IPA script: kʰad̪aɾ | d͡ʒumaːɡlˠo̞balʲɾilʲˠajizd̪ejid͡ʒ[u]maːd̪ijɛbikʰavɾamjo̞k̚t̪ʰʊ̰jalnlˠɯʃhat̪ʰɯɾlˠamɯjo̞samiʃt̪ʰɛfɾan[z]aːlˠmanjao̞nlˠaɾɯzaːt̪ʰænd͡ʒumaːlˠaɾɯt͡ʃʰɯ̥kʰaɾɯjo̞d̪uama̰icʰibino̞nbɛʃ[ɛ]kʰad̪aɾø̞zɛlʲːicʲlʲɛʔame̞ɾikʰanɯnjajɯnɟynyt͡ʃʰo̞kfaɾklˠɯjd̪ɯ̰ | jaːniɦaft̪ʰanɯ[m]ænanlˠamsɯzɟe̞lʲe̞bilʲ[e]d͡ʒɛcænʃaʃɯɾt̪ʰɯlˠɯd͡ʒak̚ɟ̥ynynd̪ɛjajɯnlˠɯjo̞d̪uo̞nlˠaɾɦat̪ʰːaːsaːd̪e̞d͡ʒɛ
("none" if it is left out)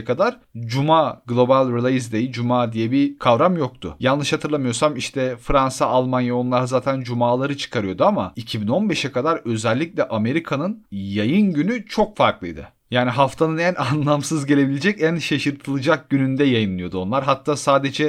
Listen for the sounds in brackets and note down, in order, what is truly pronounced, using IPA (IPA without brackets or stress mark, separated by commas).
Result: u, s, ɛ, n, e